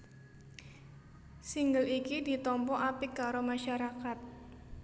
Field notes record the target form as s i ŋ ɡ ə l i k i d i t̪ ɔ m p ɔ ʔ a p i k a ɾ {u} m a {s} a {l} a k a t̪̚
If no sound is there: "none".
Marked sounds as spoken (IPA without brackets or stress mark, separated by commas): o, ʃ, ɾ